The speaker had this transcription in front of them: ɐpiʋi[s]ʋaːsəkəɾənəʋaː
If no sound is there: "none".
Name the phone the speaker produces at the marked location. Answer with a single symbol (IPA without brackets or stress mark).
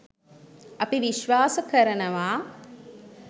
ʃ